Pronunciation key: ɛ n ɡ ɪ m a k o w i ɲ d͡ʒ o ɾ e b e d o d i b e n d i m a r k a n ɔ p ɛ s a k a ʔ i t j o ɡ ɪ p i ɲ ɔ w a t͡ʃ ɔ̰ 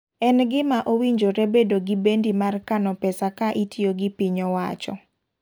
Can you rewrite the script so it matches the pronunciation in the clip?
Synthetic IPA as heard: ɛ n ɡ ɪ m a ʔ o w i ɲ d͡ʒ o ɾ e b e d o ɡ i b e n d i m a r k a n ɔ p ɛ s a k a ʔ i t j o ɡ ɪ p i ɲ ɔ w a t͡ʃ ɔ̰